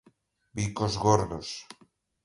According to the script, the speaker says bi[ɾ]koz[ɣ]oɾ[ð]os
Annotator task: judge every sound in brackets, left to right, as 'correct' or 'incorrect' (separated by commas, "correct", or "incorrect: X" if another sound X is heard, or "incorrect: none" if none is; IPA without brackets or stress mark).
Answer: incorrect: none, correct, correct